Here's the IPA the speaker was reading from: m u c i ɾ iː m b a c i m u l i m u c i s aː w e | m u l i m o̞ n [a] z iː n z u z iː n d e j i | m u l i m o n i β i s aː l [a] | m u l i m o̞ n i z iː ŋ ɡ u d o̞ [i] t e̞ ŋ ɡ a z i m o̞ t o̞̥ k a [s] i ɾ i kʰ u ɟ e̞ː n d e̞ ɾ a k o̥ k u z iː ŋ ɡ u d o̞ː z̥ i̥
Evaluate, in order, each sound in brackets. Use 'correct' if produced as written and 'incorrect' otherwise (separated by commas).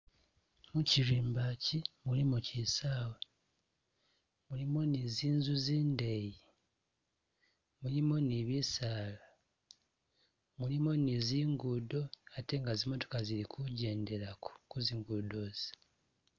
incorrect, correct, incorrect, incorrect